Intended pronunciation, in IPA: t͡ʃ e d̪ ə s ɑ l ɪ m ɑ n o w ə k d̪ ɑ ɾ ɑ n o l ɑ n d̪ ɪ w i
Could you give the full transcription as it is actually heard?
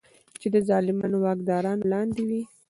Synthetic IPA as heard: t͡ʃ e d̪ ə z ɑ l ɪ m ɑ n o w ɑ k d̪ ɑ ɾ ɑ n o l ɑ n d̪ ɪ w i